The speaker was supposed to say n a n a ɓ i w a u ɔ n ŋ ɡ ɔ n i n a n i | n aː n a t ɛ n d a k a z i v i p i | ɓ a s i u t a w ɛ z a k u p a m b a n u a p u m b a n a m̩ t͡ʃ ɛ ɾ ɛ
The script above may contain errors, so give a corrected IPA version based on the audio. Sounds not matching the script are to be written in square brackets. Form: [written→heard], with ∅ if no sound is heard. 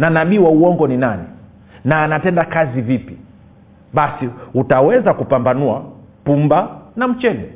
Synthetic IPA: n a n a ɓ i w a u ɔ [n→∅] ŋ ɡ ɔ n i n a n i | n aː n a t ɛ n d a k a z i v i p i | ɓ a s i u t a w ɛ z a k u p a m b a n u a p u m b a n a m̩ t͡ʃ ɛ [ɾ→l] ɛ